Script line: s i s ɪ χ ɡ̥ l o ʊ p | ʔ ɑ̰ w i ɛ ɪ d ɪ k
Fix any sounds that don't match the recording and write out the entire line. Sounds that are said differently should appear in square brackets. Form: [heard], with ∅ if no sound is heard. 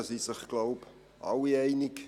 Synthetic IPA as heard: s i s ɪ χ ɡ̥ l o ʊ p | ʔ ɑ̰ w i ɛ ɪ [n] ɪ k